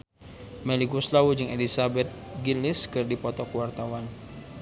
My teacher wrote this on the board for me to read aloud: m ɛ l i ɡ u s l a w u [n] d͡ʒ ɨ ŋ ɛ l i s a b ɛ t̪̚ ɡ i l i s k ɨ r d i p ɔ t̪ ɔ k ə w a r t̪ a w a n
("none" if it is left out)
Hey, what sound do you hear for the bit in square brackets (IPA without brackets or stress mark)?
none